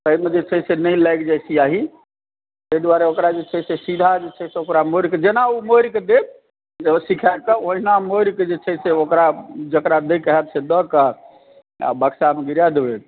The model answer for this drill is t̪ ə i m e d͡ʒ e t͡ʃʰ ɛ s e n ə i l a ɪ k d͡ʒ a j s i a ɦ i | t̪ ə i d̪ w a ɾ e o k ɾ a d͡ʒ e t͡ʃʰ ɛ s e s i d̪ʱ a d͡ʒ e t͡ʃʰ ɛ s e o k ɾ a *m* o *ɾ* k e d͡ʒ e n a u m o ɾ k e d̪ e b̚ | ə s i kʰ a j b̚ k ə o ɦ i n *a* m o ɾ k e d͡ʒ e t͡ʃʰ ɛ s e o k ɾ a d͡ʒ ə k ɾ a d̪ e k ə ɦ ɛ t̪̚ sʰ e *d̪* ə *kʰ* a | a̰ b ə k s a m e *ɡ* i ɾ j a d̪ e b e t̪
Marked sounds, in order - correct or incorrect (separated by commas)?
correct, correct, correct, correct, incorrect, correct